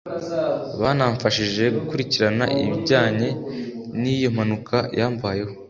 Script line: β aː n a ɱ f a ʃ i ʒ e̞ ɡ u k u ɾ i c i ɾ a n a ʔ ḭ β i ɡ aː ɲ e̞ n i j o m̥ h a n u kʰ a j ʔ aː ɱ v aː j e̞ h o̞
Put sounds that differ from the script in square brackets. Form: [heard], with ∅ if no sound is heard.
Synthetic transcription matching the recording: β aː n a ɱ f a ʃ i ʒ e̞ ɡ u k u ɾ i c i ɾ a n a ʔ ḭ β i [ɟ] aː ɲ e̞ n i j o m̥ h a n u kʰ a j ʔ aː ɱ v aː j e̞ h o̞